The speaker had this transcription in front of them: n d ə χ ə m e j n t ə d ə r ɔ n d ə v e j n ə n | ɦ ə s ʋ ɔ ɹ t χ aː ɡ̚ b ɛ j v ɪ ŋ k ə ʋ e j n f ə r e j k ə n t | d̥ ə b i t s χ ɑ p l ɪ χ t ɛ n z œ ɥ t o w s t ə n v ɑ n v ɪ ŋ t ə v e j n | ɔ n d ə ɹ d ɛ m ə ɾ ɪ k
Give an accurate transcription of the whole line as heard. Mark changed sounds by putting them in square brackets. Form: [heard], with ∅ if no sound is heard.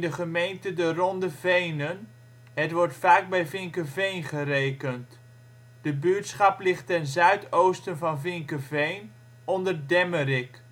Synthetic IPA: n d ə χ ə m e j n t ə d ə r ɔ n d ə v e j n ə n | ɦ ə [t] ʋ ɔ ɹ t [f] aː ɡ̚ b ɛ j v ɪ ŋ k ə [v] e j n [χ] ə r e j k ə n t | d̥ ə b [y] t s χ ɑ p l ɪ χ t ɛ n z œ ɥ t o w s t ə n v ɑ n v ɪ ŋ [k] ə v e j n | ɔ n d ə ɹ d ɛ m ə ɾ ɪ k